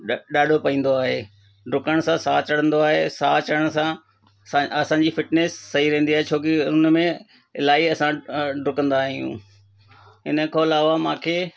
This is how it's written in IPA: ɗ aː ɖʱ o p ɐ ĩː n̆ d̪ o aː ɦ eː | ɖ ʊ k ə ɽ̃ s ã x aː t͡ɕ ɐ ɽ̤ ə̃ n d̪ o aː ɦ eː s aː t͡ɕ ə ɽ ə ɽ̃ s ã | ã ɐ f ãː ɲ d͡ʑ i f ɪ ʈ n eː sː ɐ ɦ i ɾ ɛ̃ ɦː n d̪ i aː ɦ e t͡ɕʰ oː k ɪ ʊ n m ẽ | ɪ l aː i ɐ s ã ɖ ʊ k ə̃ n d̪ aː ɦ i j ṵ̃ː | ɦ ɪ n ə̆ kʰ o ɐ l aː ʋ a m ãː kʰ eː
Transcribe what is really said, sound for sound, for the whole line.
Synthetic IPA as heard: ɗ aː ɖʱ o p ɐ ĩː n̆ d̪ o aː ɦ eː | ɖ ʊ k ə ɽ̃ s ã s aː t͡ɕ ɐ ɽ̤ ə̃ n d̪ o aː ɦ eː s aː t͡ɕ ə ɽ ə ɽ̃ s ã | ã ɐ s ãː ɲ d͡ʑ i f ɪ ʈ n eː sː ɐ ɦ i ɾ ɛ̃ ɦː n d̪ i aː ɦ e t͡ɕʰ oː k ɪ ʊ n m ẽ | ɪ l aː i ɐ s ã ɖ ʊ k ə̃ n d̪ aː ɦ i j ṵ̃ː | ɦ ɪ n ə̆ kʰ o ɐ l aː ʋ a m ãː kʰ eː